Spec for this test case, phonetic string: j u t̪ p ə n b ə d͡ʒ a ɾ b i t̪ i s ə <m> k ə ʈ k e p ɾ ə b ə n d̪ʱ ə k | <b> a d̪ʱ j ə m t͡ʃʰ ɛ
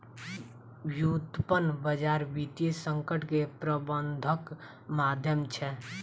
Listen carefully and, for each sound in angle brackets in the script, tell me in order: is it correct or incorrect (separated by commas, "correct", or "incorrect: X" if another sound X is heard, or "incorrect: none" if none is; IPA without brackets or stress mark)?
incorrect: ŋ, incorrect: m